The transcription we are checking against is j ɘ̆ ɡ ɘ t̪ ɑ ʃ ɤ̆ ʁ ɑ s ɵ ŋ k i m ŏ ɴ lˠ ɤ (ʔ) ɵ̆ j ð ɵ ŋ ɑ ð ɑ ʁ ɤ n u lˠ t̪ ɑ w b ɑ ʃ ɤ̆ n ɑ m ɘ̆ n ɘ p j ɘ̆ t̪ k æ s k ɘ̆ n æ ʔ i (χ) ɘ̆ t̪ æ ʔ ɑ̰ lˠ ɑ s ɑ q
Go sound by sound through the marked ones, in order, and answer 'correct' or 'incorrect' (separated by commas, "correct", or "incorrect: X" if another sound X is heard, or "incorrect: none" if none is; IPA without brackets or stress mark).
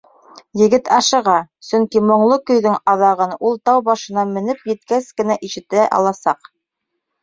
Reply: incorrect: k, incorrect: ʃ